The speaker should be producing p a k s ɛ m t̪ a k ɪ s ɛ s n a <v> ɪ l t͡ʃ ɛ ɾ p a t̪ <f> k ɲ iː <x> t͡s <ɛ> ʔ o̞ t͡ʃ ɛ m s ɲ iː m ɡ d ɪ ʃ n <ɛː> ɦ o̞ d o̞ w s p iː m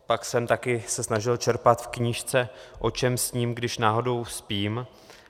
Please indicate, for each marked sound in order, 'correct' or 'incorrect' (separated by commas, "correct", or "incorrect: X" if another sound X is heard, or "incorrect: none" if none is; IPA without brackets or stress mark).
incorrect: ʒ, correct, incorrect: ʃ, correct, incorrect: aː